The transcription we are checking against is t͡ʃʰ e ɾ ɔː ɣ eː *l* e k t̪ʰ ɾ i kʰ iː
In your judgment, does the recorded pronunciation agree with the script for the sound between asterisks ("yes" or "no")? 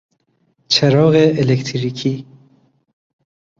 yes